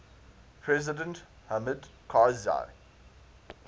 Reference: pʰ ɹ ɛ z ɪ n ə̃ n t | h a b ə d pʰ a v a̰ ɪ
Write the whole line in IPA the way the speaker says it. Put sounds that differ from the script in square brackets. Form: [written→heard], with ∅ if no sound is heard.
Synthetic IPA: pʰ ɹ ɛ z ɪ [n→d] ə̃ n t | h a [b→m] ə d [pʰ→kʰ] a [v→z] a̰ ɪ

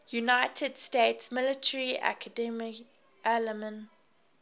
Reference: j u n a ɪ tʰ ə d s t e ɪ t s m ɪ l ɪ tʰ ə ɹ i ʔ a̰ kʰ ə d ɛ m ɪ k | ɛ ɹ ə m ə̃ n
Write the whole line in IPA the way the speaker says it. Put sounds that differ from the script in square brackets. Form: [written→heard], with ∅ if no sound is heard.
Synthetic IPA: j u n a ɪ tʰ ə d s t e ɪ t s m ɪ l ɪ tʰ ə ɹ i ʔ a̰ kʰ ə d ɛ m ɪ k | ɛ [ɹ→l] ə m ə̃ n

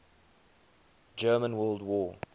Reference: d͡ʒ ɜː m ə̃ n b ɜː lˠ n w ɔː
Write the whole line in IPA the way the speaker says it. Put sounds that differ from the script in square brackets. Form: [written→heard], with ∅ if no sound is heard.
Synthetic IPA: d͡ʒ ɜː m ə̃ n [b→w] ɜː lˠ [n→d] w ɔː

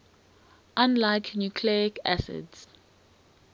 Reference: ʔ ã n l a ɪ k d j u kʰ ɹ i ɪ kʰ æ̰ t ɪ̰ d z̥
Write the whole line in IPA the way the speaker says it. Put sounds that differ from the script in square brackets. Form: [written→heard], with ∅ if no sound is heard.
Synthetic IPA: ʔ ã n l a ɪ k [d→n] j u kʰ [ɹ→l] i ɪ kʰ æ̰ [t→s] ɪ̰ d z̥

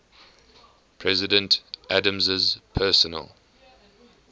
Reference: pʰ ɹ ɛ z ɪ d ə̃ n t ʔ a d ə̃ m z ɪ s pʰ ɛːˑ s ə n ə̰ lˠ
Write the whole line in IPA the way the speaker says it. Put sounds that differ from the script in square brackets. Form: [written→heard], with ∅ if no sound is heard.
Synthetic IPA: pʰ ɹ ɛ z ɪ d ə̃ n t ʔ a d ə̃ m z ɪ [s→z] pʰ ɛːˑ s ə n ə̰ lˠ

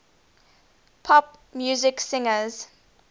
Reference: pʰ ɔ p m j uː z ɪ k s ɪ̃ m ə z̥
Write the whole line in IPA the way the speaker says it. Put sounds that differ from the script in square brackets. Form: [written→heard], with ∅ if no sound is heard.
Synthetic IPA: pʰ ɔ p m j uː z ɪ k s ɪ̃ [m→ŋ] ə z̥

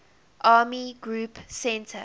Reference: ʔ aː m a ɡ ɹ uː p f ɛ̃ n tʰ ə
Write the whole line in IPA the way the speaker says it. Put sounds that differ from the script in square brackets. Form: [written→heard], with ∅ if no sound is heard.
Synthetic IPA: ʔ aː m [a→i] ɡ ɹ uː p [f→s] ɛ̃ n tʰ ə

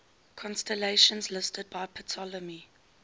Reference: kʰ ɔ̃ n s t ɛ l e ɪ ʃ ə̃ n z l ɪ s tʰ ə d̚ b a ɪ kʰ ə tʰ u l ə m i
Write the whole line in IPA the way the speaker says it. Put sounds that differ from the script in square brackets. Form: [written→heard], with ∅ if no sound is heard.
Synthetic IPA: kʰ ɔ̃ n s t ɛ l e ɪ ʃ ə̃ n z l ɪ s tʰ ə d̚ b a ɪ [kʰ→pʰ] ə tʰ [u→ɔ] l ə m i

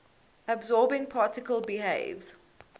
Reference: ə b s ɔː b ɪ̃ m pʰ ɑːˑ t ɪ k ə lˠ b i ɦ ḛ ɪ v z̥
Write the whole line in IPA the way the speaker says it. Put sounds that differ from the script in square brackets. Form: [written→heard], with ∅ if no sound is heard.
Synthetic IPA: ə b [s→z] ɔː b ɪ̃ [m→ŋ] pʰ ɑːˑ t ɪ k ə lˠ b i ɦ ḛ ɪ v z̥

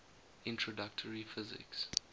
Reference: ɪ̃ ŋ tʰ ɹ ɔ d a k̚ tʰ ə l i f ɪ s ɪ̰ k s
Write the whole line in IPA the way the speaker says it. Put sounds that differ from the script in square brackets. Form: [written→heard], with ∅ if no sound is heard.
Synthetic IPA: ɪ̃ [ŋ→n] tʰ ɹ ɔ d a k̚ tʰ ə [l→ɹ] i f ɪ [s→z] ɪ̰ k s

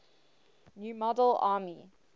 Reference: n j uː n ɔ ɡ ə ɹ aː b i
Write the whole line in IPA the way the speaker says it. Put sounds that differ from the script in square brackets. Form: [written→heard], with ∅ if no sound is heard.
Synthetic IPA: n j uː [n→m] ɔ [ɡ→d] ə [ɹ→l] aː [b→m] i

